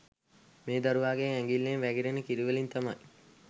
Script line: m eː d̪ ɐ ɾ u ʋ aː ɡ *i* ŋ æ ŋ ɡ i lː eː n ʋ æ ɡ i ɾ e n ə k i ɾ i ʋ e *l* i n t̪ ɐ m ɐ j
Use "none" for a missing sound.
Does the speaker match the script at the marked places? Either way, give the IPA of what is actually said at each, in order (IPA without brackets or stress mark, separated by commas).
e, l